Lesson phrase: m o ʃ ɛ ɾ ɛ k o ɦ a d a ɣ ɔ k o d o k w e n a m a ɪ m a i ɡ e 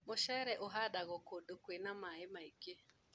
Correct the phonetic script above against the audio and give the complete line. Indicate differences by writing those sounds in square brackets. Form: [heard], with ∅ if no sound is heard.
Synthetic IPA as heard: m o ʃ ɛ ɾ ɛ [ʔ] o ɦ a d a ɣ ɔ k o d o k w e n a m a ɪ m a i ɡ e